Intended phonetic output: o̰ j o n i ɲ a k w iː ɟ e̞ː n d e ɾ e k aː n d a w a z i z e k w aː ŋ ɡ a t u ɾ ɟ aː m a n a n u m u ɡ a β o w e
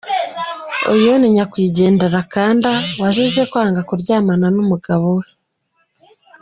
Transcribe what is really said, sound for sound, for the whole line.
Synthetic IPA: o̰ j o n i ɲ a k w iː ɟ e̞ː n d e ɾ a k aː n d a w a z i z e k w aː ŋ ɡ a k u ɾ ɟ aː m a n a n u m u ɡ a β o w e